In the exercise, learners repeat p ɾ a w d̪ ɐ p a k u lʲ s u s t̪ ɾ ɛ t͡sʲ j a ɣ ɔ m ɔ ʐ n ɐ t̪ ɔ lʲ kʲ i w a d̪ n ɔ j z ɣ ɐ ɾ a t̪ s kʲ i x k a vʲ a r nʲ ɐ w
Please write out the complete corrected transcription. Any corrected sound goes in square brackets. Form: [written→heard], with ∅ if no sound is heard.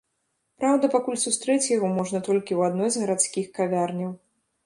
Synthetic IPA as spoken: p ɾ a w d̪ ɐ p a k u lʲ s u s t̪ ɾ ɛ t͡sʲ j a ɣ ɔ m ɔ ʐ n ɐ t̪ ɔ lʲ kʲ i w a d̪ n ɔ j z ɣ ɐ ɾ a t̪ s kʲ i x k a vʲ a r nʲ ɐ w